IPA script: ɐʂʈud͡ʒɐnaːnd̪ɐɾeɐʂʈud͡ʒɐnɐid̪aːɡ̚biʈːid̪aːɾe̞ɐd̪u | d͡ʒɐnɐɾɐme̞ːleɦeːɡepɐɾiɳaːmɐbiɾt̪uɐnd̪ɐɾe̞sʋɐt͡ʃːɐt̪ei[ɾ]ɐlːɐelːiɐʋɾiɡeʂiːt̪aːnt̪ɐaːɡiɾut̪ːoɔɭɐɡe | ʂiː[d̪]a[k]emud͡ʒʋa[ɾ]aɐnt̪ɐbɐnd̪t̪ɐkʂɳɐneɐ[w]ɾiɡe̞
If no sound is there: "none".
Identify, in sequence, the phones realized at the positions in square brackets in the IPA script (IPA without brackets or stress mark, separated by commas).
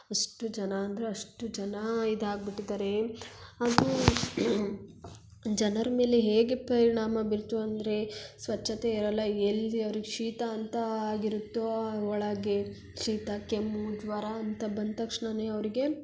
ɾ, t̪, k, ɾ, ʋ